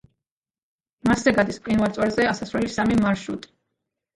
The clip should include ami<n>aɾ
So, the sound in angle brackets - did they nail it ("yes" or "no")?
no